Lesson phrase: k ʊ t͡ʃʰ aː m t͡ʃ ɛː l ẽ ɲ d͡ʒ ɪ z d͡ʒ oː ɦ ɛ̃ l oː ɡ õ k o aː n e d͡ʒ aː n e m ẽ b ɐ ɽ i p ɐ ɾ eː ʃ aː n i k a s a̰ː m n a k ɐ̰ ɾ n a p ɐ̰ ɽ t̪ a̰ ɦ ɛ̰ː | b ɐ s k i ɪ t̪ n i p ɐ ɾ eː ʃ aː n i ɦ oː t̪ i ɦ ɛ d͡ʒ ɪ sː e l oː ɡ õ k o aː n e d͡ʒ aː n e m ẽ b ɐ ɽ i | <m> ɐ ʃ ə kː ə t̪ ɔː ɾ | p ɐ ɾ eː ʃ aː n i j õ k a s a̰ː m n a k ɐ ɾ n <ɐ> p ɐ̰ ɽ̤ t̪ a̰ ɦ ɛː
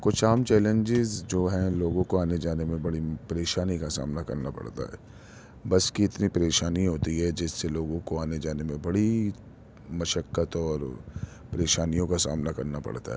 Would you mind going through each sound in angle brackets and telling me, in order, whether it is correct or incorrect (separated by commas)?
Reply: correct, incorrect